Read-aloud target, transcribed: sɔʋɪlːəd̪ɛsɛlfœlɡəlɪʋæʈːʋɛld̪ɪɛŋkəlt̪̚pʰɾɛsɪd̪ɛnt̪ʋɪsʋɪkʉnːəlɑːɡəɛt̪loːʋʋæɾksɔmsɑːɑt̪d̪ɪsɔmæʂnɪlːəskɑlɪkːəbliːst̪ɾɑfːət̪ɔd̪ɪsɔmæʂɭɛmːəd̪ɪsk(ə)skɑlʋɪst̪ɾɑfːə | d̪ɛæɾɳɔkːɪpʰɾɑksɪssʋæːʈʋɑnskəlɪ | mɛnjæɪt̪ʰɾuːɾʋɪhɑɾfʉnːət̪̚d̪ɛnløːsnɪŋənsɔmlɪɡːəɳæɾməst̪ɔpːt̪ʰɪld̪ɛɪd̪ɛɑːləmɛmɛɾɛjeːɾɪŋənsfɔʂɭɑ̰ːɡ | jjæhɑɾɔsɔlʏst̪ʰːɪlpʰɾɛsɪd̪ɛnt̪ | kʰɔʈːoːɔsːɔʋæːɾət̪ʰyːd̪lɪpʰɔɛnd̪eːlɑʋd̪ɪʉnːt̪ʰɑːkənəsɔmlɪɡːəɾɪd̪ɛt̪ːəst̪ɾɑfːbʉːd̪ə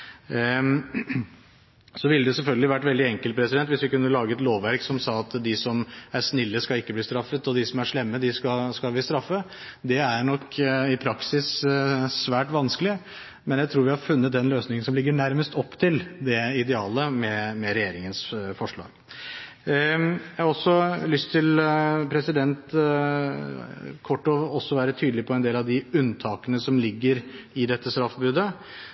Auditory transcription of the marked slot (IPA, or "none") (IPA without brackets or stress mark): ɑ